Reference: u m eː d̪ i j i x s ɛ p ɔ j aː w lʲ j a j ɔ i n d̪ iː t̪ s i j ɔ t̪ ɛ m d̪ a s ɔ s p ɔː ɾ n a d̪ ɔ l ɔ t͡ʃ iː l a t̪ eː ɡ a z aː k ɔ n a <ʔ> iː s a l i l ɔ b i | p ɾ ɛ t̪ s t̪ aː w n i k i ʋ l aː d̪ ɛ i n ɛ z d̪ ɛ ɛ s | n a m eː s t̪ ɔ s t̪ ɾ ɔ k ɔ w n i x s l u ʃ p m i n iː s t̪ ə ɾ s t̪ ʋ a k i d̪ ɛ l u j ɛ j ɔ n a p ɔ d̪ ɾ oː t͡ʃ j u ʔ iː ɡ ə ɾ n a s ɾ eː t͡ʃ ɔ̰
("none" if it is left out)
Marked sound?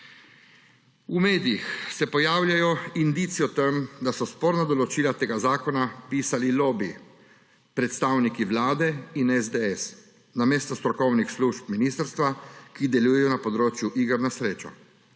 p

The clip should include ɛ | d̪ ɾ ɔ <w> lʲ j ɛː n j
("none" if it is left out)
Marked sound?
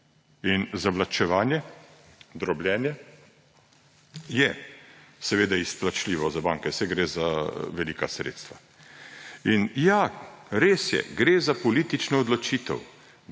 b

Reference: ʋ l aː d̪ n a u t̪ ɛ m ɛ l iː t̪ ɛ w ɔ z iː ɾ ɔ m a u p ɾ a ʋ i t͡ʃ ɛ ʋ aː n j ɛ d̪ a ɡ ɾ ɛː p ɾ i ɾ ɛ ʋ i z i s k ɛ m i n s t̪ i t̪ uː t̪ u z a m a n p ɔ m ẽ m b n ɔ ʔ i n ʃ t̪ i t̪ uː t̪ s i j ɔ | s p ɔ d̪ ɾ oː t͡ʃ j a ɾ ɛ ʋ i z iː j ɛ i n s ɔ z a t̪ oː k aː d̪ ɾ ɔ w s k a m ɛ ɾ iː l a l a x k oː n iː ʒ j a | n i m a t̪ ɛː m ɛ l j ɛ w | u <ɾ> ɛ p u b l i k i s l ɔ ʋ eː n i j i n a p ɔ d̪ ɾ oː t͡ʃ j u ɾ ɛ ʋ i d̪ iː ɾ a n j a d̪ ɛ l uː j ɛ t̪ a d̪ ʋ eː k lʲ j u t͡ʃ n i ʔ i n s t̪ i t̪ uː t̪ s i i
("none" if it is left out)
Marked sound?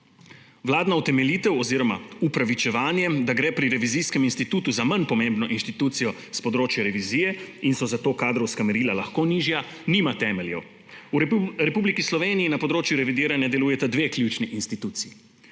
ɾ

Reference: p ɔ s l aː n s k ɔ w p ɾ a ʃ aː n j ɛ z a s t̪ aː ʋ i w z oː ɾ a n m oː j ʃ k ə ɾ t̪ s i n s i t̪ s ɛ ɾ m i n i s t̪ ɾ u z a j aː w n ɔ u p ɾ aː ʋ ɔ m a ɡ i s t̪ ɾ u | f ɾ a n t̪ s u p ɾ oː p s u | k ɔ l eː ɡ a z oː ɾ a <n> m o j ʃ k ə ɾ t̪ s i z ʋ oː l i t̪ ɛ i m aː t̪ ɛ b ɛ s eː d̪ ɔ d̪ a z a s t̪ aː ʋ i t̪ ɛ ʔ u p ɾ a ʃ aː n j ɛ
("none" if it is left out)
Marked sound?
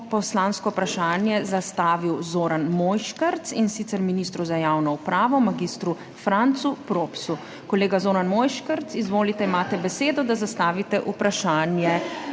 n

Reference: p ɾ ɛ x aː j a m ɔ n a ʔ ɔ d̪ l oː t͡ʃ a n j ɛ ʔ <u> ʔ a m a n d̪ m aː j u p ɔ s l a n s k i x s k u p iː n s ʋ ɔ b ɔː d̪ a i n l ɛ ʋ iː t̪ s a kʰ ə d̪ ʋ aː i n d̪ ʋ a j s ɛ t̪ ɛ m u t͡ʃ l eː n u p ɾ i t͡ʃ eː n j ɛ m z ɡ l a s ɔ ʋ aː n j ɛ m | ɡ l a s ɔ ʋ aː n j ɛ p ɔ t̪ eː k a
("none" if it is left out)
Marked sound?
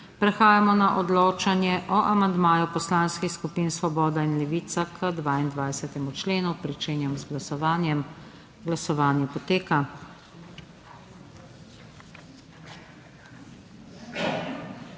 ɔ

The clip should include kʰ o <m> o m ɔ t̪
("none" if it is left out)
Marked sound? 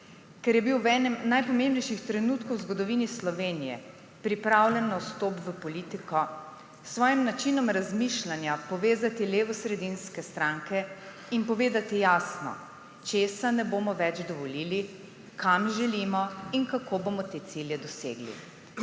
b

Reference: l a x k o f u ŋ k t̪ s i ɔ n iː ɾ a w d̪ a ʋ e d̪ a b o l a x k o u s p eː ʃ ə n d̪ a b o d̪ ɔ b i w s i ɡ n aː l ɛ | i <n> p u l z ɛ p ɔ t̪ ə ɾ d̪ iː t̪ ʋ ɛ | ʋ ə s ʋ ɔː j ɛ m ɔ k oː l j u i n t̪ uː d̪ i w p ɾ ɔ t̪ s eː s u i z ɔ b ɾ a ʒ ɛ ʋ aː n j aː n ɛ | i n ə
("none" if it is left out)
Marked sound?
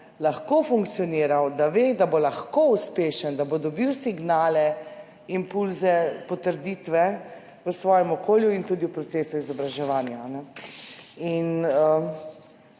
m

